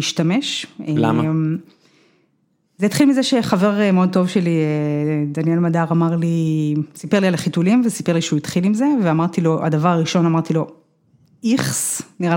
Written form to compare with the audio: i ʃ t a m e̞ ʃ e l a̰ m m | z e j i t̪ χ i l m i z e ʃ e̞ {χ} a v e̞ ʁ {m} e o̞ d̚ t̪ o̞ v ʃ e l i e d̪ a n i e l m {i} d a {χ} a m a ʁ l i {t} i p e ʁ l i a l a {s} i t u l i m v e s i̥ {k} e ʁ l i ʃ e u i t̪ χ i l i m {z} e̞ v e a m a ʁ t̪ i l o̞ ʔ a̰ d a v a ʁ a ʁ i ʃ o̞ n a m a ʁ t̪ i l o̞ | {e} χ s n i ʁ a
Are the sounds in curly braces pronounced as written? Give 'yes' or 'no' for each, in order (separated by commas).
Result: yes, yes, no, no, no, no, no, yes, no